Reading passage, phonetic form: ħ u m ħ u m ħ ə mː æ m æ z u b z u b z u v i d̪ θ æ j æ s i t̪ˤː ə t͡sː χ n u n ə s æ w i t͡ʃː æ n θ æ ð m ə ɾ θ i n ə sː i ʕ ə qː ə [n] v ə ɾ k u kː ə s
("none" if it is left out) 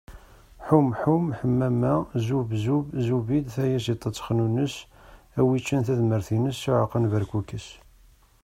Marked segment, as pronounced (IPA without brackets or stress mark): n